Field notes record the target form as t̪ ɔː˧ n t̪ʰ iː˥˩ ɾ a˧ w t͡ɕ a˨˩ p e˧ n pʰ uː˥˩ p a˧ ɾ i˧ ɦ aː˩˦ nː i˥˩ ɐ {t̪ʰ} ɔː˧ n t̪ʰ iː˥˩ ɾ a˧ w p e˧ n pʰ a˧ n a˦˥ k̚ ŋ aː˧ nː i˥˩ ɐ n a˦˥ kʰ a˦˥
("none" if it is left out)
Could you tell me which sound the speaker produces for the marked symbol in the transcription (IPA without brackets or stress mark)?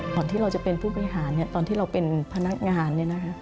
t̪